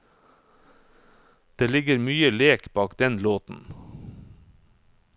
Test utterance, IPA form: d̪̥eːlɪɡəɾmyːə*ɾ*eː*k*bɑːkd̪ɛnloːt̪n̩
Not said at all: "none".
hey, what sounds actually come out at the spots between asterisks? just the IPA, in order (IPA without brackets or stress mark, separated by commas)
l, k